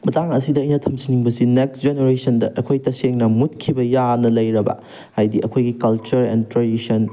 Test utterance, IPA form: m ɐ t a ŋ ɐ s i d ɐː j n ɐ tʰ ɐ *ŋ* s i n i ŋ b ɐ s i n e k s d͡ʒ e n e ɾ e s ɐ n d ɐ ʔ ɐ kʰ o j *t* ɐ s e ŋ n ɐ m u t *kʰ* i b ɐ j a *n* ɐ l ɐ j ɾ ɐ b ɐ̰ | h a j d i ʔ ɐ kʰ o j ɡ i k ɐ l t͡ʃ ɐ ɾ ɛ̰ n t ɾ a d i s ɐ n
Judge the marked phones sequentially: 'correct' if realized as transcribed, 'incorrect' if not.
incorrect: m, correct, correct, correct

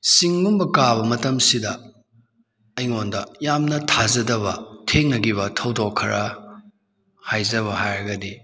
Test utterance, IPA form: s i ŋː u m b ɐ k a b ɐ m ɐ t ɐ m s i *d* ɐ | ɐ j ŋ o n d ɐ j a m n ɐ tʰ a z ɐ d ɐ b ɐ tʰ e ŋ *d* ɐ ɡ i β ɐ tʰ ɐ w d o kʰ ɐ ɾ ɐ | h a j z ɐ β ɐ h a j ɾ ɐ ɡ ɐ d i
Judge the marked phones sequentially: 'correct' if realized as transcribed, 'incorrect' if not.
correct, incorrect: n

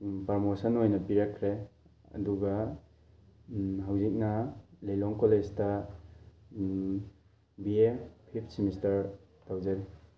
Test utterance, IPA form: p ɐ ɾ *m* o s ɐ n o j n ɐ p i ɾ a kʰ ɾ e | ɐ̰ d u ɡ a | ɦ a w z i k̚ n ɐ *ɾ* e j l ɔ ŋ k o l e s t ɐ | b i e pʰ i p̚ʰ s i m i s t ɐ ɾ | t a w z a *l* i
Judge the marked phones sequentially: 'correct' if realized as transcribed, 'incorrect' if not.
correct, incorrect: l, incorrect: ɾ

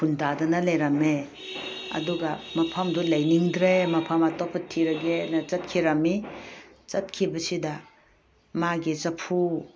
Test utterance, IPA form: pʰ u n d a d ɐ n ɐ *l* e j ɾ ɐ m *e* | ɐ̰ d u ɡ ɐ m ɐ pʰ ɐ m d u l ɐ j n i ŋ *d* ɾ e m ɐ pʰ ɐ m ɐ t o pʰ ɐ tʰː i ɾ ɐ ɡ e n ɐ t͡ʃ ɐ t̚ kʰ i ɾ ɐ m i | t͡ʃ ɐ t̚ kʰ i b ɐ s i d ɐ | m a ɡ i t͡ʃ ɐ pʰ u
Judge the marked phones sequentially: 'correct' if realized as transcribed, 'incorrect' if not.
correct, correct, correct

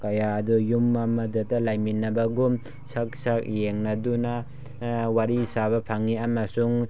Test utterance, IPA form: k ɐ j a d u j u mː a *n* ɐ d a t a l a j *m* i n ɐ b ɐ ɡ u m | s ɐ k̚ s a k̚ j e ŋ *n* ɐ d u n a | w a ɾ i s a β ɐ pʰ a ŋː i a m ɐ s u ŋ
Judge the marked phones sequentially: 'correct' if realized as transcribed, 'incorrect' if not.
incorrect: m, correct, correct

